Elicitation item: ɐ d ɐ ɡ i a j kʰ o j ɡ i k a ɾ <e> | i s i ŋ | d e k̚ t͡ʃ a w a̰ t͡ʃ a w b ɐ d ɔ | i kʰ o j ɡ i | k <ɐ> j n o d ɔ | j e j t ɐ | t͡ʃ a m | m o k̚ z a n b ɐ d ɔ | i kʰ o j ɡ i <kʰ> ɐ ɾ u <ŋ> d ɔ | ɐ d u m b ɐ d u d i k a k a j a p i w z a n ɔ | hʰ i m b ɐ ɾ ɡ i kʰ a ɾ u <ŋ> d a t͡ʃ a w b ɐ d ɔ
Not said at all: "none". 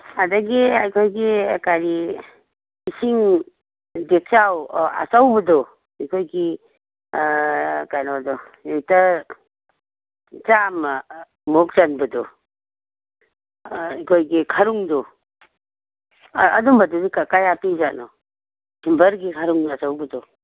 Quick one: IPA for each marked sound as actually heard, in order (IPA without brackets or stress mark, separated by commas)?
i, a, kʰ, ŋ, ŋ